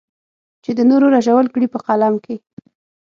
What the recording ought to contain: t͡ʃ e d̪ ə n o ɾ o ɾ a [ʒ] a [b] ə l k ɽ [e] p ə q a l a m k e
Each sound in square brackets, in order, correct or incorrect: correct, incorrect, incorrect

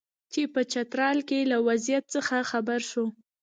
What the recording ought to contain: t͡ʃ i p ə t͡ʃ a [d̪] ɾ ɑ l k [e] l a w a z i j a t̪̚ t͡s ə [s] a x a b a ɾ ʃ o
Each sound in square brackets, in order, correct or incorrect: incorrect, correct, incorrect

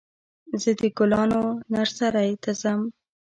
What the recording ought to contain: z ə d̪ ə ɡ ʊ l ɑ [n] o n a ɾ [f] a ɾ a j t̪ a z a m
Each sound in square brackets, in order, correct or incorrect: correct, incorrect

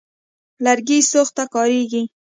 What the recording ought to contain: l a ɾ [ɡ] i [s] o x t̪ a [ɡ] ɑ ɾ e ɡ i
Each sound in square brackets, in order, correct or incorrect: correct, correct, incorrect

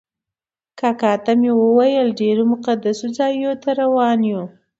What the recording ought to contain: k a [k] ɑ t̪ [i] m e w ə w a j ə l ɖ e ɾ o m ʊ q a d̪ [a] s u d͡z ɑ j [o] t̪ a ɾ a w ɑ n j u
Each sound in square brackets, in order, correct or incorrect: correct, incorrect, correct, correct

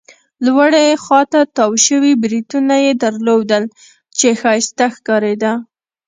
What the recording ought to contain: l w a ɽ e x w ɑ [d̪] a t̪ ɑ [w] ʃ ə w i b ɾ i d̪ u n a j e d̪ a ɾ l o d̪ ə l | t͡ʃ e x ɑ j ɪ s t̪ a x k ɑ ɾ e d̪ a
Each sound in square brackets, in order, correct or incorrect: incorrect, correct

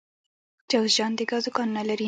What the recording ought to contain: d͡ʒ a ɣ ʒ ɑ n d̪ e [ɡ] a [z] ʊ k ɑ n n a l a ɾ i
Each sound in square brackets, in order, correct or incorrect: correct, correct

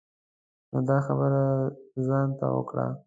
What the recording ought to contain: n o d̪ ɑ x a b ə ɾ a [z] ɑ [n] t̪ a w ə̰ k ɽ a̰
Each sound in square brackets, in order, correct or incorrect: correct, correct

